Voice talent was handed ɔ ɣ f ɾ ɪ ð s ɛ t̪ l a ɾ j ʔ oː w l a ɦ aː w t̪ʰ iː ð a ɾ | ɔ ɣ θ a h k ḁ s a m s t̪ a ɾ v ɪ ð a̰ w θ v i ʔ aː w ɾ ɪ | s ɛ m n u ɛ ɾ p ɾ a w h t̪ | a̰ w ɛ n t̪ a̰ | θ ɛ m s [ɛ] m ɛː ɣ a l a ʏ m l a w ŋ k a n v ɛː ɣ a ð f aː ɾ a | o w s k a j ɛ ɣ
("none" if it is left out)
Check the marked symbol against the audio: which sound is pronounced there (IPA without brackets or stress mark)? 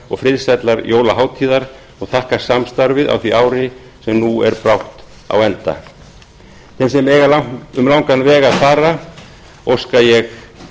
ɛ